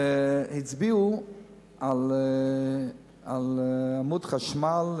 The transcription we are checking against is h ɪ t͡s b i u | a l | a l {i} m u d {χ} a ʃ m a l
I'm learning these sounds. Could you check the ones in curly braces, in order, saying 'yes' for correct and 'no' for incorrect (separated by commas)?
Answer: no, yes